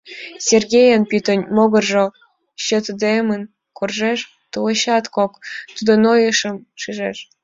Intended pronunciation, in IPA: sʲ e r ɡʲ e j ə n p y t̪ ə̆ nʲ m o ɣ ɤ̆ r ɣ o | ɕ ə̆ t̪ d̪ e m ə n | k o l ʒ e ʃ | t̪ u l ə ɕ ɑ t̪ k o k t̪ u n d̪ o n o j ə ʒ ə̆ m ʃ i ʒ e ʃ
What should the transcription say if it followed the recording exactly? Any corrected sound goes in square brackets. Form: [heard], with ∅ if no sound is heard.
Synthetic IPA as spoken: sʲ e r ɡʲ e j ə n p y t̪ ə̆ nʲ m o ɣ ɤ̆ r [ʒ] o | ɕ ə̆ t̪ d̪ e m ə n | k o [r] ʒ e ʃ | t̪ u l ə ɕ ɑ t̪ k o k t̪ u [∅] d̪ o n o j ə [ʃ] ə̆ m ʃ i ʒ e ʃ